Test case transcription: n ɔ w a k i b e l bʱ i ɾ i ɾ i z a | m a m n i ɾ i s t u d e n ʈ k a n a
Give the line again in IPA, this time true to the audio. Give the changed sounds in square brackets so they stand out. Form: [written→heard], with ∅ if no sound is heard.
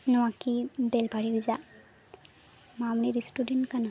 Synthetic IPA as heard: n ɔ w a k i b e l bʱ [i→a] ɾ i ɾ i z a | m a m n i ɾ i s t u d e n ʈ k a n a